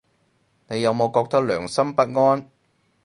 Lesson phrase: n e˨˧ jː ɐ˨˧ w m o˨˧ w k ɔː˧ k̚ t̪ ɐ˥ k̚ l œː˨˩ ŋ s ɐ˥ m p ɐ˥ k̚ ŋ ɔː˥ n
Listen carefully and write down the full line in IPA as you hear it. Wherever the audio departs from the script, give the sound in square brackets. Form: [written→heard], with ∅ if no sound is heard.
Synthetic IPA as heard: n e˨˧ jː ɐ˨˧ w m o˨˧ w k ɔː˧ k̚ t̪ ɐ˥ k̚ l œː˨˩ ŋ s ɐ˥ m p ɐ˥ [k̚→t̚] ŋ ɔː˥ n